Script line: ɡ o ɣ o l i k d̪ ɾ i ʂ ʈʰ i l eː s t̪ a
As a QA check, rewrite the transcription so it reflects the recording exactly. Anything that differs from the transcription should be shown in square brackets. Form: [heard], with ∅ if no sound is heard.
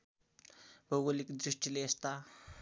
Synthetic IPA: [b] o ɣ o l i k d̪ ɾ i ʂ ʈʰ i l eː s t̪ a